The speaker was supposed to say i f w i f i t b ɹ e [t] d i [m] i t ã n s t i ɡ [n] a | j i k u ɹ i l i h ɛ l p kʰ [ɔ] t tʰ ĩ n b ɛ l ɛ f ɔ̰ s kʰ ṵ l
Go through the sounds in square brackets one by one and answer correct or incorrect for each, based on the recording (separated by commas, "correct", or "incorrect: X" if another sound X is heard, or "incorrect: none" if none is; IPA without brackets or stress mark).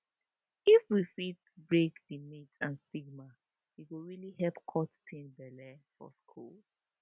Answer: incorrect: k, correct, incorrect: m, correct